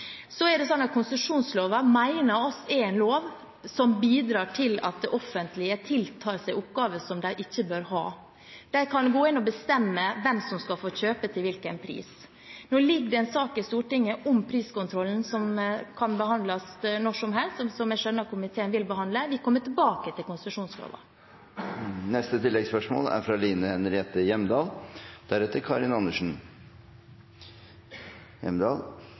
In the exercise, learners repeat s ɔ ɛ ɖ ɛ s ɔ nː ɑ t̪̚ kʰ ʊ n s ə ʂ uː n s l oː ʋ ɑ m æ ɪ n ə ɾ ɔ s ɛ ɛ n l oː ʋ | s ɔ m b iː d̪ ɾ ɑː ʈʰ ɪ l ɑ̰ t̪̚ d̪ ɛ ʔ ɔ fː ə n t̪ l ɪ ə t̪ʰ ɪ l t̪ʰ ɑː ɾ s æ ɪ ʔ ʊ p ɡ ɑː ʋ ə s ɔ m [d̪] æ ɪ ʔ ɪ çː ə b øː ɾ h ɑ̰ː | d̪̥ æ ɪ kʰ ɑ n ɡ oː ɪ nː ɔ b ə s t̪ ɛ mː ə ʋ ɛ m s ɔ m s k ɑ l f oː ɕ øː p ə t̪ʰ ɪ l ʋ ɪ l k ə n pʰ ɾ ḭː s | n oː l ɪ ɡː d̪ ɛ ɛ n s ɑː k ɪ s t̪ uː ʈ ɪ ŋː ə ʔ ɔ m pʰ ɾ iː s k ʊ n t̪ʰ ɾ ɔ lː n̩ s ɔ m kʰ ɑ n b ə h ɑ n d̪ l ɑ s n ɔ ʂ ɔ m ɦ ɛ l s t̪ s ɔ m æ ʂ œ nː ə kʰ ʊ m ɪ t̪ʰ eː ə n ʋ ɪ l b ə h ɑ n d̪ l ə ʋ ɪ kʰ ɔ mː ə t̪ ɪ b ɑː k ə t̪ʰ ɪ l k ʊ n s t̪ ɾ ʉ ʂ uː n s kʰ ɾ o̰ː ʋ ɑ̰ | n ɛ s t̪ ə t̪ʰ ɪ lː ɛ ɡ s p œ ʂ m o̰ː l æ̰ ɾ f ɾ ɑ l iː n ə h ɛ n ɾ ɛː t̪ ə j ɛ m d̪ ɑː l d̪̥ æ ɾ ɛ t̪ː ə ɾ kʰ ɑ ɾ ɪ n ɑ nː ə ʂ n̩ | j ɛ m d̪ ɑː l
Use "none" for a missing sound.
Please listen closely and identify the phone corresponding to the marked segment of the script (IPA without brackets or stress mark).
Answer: d̪